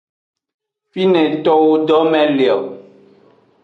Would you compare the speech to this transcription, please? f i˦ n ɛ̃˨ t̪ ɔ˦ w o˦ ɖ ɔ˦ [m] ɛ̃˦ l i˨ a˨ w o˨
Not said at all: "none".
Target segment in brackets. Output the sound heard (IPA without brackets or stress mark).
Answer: m